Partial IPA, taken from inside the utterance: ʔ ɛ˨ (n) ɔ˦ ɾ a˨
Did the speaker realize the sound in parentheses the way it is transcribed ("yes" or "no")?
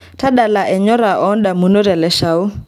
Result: no